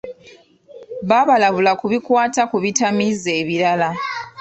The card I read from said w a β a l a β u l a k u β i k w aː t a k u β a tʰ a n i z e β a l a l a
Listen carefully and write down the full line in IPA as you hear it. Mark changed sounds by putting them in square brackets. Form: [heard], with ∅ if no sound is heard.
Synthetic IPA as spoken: [β] a β a l a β u l a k u β i k w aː t a k u β [i] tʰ a [m] i z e β [i] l a l a